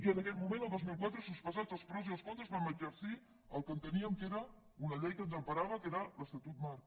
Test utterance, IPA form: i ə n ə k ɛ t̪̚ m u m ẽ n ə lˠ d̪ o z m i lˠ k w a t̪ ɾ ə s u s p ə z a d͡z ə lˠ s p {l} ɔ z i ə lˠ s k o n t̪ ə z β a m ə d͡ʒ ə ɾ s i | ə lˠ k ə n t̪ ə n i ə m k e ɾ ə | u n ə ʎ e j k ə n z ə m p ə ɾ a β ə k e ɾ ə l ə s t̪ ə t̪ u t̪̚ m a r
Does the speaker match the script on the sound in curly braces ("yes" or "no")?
no